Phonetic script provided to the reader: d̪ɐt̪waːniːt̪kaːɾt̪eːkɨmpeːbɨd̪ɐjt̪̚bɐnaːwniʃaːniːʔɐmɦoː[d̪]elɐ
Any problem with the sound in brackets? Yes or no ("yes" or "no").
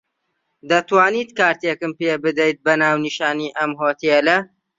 yes